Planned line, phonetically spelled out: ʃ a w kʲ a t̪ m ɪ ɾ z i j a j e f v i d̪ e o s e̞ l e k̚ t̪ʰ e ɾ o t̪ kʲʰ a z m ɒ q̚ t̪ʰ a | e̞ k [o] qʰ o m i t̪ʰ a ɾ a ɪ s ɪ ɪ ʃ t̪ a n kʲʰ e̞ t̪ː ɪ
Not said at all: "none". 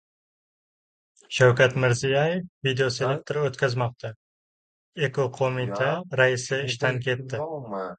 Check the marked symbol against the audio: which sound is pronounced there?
o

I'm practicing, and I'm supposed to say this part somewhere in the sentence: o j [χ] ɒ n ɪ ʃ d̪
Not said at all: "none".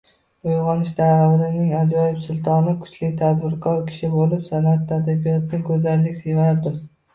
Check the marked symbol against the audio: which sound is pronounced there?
ʁ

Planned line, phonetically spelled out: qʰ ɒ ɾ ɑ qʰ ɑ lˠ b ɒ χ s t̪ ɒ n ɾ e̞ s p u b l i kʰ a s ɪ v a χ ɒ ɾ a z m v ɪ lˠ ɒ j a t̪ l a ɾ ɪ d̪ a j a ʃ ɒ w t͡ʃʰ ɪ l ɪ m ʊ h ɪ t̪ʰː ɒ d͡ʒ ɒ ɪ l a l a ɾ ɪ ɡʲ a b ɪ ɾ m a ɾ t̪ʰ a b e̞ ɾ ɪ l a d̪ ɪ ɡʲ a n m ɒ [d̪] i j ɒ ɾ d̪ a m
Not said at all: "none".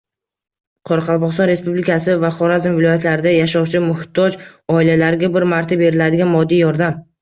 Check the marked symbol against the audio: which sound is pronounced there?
d̪ː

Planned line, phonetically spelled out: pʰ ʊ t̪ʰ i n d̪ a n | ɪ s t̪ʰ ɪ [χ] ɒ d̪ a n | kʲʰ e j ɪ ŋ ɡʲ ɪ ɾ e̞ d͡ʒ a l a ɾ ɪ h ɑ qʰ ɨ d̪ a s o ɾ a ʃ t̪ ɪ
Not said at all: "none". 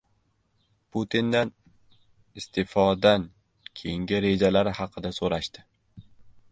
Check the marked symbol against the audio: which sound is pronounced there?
f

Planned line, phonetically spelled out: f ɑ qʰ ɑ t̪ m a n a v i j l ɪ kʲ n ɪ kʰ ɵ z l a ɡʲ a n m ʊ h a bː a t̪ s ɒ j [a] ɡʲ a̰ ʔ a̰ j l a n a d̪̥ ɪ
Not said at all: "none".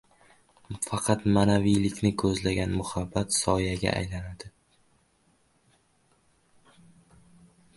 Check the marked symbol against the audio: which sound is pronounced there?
a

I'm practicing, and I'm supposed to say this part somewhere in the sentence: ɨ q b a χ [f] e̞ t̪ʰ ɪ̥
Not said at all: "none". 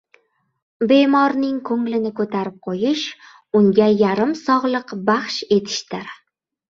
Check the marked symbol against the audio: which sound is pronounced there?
ʃ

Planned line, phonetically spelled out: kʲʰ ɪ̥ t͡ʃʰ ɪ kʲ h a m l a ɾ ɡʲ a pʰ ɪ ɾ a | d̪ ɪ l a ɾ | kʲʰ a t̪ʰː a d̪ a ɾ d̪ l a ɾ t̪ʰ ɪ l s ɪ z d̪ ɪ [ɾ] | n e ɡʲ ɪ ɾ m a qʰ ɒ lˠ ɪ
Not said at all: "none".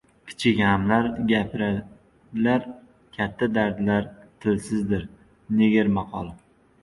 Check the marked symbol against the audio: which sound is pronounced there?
ɾ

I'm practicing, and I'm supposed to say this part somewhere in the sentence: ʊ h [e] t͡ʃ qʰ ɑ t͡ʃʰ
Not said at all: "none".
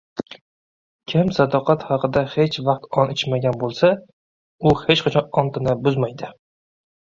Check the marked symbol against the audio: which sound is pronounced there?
e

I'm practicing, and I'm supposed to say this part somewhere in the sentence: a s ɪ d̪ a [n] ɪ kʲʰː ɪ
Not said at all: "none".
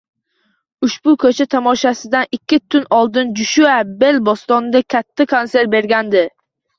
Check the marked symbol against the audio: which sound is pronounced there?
n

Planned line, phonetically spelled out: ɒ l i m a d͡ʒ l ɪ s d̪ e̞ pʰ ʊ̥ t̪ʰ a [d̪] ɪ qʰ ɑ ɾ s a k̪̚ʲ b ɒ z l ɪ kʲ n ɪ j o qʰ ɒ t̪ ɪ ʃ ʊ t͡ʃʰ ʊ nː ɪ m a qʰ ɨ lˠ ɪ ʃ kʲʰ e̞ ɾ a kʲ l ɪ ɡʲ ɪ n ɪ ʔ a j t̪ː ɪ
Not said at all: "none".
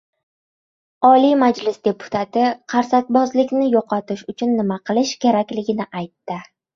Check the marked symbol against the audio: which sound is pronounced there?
t̪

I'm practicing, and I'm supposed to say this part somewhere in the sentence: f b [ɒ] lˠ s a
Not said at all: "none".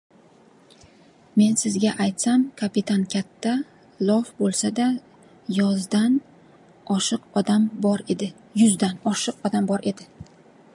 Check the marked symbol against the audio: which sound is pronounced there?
o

